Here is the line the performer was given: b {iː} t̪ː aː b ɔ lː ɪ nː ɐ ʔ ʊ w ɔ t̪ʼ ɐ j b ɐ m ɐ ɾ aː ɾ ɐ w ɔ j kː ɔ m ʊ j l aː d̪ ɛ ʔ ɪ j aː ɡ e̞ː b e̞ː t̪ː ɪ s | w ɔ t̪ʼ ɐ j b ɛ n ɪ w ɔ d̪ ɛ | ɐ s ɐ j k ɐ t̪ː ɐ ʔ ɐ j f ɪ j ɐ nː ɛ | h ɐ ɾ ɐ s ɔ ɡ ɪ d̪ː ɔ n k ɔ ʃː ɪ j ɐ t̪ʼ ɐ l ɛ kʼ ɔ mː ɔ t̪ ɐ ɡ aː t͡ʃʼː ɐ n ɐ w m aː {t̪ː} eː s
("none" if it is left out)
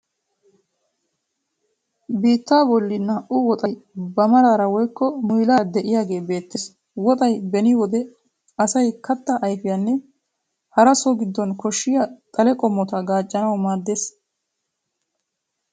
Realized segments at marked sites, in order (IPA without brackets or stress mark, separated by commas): iː, d̪ː